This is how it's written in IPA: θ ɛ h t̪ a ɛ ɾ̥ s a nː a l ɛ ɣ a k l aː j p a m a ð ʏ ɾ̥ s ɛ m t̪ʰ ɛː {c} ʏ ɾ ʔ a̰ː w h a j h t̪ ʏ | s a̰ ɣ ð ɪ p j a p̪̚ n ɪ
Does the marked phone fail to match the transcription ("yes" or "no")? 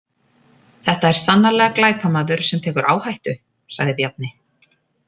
yes